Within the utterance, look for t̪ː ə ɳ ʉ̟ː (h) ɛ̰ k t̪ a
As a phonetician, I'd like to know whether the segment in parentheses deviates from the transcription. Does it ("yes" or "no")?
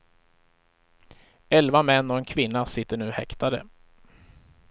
no